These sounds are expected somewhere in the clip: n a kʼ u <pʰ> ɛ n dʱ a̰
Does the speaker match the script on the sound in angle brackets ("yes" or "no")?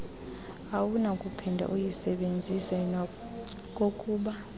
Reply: yes